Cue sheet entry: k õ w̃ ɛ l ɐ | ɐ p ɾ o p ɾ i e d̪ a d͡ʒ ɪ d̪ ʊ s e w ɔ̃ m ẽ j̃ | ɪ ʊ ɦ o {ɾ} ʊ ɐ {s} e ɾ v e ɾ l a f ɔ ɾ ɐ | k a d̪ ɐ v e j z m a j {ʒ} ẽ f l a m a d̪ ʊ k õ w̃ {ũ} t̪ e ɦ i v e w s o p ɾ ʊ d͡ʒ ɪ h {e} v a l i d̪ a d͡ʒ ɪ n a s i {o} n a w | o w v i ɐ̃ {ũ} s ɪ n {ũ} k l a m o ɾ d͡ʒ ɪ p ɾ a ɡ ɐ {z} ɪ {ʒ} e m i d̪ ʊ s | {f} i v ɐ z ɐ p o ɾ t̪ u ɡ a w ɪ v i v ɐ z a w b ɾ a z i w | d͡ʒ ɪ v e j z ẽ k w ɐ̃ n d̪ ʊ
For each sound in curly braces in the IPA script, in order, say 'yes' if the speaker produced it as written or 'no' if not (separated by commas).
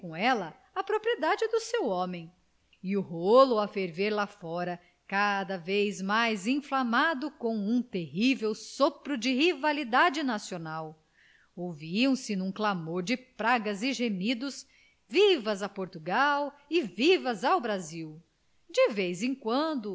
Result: no, no, no, yes, no, yes, no, yes, yes, yes, no